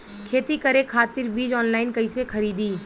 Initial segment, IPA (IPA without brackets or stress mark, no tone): kʰ